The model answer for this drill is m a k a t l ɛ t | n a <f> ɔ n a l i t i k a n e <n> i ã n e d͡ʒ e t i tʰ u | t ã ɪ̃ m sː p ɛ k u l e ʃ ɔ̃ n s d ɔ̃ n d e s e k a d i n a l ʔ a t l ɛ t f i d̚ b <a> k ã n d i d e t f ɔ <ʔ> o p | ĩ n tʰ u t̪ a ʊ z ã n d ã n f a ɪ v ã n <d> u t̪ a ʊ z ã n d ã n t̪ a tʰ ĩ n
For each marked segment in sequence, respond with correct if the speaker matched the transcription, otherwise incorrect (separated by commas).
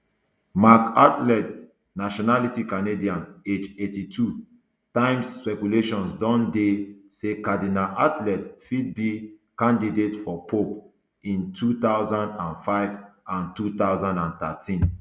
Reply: incorrect, incorrect, incorrect, incorrect, incorrect